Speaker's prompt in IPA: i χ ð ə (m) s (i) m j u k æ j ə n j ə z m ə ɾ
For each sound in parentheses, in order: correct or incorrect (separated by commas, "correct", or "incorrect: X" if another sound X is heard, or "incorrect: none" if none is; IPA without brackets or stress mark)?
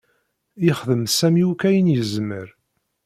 correct, incorrect: æ